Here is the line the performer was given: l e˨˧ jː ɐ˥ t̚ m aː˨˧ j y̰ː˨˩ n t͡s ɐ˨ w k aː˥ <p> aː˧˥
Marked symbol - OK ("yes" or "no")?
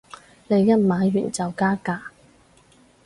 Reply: no